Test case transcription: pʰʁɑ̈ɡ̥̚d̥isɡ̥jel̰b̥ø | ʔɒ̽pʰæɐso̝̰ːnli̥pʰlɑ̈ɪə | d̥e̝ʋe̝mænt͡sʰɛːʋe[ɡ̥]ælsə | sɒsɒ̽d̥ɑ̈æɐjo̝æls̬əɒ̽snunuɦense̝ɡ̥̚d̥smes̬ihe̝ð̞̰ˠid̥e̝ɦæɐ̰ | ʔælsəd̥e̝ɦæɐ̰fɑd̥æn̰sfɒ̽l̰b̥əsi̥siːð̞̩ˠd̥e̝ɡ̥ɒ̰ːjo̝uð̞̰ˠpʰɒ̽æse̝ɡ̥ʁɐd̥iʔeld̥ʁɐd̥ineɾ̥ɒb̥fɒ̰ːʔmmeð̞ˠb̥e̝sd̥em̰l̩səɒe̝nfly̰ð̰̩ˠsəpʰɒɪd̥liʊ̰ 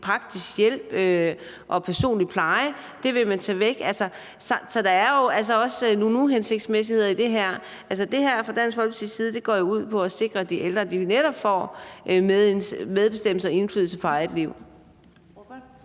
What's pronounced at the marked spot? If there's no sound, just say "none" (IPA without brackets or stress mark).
ɡ̥